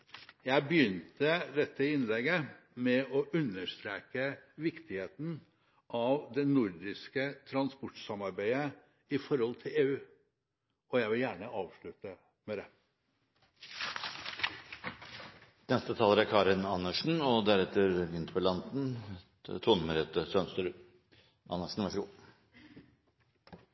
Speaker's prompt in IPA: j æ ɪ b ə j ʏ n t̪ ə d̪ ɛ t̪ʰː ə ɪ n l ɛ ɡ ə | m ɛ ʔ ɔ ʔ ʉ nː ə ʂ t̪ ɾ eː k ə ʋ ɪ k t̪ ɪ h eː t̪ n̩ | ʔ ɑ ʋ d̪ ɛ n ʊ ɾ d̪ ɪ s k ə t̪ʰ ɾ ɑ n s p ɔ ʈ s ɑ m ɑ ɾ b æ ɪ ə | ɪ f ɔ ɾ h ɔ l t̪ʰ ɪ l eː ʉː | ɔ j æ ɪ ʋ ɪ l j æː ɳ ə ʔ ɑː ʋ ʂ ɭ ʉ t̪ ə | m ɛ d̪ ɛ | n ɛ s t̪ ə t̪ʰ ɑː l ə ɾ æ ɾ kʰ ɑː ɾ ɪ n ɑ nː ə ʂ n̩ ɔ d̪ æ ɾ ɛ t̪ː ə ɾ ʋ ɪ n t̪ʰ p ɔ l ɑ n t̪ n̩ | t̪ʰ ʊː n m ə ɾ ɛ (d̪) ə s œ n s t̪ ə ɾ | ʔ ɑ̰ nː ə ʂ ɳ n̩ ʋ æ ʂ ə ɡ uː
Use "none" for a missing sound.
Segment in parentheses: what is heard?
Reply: t̪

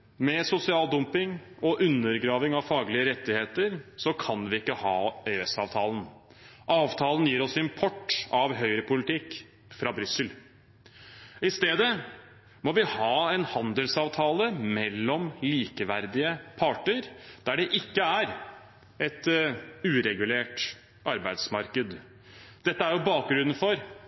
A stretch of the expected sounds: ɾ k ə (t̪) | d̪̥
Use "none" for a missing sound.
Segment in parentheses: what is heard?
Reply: d̪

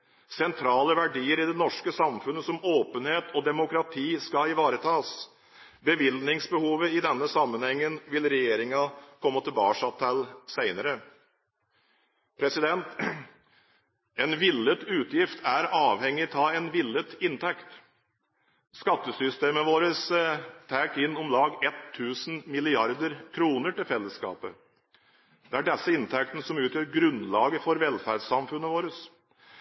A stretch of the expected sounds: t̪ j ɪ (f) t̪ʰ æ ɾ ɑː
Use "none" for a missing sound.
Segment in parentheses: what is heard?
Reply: f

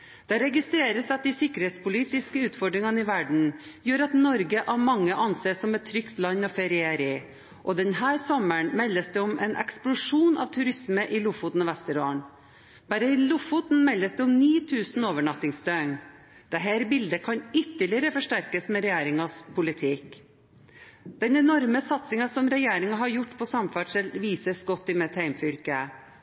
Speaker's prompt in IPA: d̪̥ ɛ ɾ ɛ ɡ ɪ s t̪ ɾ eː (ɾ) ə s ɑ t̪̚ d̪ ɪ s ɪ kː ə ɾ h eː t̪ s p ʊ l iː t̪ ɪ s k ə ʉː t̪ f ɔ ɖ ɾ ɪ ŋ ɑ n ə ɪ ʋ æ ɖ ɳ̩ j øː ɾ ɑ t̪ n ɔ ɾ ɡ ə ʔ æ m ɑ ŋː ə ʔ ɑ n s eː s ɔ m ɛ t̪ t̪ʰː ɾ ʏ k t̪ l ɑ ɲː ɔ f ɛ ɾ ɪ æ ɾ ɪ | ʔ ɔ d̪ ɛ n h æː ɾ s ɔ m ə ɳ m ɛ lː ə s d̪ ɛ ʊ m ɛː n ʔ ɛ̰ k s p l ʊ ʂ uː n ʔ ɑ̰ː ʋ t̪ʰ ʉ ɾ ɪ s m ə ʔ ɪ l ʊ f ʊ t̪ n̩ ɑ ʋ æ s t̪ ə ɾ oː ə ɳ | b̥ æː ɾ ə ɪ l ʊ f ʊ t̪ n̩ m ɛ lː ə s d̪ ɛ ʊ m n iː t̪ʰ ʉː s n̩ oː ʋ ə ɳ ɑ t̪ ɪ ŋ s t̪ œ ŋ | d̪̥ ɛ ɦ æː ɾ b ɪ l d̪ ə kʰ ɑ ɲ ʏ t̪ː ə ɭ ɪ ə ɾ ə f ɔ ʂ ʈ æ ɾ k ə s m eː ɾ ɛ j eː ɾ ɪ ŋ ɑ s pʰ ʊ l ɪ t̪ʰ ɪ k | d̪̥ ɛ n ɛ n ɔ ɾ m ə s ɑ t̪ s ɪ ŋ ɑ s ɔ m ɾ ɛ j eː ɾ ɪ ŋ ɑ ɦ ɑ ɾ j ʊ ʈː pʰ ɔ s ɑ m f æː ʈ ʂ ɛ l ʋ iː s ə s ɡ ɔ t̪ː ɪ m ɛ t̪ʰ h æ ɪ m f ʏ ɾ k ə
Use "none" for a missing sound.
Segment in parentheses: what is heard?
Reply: ɾ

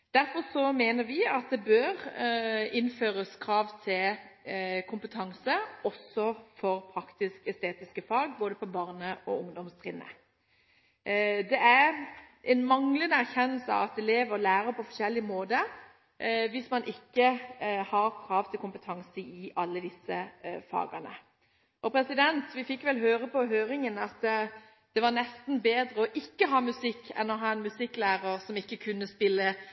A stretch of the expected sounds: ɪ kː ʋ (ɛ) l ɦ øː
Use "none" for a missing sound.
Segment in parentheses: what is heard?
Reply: ɛ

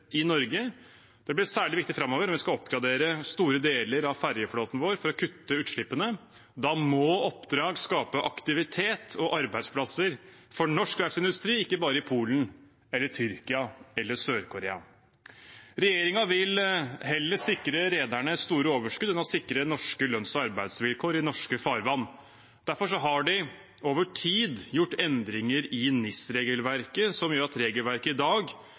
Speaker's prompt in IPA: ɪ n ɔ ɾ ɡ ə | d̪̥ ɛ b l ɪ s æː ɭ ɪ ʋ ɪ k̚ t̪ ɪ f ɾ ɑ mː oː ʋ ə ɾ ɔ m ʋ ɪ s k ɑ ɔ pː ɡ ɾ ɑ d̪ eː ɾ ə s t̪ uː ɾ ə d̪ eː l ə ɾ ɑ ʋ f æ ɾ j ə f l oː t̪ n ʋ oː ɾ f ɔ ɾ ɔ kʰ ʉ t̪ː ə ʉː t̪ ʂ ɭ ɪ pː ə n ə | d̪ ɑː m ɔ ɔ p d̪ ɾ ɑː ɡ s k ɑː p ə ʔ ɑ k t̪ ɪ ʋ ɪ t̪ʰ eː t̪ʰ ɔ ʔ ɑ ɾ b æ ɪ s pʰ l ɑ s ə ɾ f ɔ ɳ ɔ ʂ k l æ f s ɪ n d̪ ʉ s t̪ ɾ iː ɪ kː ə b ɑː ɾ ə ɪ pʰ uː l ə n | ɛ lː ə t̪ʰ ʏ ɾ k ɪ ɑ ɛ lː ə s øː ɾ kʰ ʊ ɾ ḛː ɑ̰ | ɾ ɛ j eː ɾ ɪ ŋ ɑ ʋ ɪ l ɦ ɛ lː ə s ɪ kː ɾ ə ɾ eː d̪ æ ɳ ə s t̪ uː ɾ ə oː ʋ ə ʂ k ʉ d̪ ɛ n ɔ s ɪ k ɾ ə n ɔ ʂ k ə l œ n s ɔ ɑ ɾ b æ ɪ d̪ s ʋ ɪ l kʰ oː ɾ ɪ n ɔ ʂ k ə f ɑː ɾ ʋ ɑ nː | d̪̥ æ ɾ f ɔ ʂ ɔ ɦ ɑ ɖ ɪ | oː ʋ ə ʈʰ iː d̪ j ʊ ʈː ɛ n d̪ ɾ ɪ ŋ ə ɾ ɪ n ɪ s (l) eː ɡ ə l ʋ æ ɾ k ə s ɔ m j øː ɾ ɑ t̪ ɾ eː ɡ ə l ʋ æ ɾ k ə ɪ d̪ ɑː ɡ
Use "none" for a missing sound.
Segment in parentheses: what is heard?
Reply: ɾ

